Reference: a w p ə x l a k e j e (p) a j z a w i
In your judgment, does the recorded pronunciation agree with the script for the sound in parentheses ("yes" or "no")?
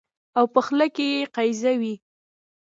no